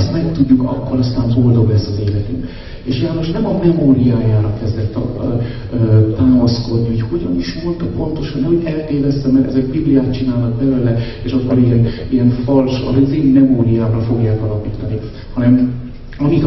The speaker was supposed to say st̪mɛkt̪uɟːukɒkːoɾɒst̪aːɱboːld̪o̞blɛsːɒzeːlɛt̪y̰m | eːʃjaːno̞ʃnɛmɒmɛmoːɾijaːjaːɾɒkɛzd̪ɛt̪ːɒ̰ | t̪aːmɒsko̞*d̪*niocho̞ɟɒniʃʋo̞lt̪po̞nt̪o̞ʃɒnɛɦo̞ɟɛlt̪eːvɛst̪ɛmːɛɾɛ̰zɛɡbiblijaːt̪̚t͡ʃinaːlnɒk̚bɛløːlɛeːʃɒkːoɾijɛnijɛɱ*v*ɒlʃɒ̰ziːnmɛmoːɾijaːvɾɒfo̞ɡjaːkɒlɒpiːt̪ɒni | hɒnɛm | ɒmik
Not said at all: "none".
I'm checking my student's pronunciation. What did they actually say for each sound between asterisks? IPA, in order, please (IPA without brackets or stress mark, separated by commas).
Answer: d̪, f